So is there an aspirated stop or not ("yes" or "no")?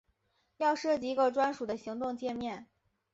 no